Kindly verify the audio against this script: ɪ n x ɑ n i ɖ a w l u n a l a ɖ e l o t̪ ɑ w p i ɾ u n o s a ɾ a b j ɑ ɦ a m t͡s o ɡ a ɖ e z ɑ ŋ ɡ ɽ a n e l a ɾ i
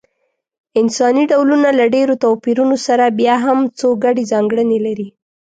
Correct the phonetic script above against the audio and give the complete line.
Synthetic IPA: ɪ n s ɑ n i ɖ a w l u n a l a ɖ e ɾ o t̪ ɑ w p i ɾ u n o s a ɾ a b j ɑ ɦ a m t͡s o ɡ a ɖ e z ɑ ŋ ɡ ɽ ə n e l a ɾ i